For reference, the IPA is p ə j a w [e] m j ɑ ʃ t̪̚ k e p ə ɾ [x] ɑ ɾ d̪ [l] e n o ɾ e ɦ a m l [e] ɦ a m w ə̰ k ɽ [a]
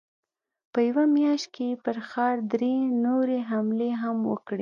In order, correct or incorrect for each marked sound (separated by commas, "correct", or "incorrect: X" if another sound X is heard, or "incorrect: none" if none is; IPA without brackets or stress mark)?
incorrect: a, correct, incorrect: ɾ, correct, incorrect: e